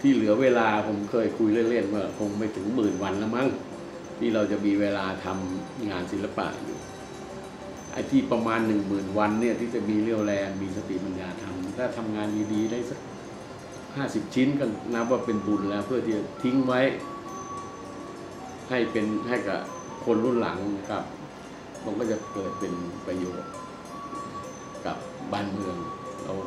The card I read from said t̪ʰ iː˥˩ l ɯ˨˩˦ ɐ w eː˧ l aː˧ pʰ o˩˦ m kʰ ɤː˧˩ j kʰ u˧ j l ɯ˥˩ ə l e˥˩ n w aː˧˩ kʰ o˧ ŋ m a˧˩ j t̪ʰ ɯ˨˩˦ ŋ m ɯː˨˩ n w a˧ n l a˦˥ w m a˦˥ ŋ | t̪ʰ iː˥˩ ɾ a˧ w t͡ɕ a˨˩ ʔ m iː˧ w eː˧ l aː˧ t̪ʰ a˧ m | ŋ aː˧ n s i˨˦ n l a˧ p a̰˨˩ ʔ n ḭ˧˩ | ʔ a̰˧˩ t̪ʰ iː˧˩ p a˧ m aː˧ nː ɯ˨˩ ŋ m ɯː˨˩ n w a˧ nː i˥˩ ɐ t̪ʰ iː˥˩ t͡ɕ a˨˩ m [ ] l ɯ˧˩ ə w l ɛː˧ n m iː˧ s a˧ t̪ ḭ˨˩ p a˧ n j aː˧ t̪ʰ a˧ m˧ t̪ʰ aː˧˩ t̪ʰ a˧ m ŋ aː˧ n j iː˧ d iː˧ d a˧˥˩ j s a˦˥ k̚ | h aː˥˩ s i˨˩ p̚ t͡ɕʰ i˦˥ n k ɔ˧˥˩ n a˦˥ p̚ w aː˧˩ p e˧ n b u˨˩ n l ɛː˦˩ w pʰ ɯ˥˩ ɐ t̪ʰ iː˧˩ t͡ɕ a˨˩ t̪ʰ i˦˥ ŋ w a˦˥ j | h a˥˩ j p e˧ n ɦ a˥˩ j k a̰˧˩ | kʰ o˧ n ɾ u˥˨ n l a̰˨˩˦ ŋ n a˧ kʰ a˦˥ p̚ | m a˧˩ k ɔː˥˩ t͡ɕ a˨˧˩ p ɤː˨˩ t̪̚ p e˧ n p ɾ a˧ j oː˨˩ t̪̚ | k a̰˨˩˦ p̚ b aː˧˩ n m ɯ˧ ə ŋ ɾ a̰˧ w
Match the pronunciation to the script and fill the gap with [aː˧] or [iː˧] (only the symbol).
iː˧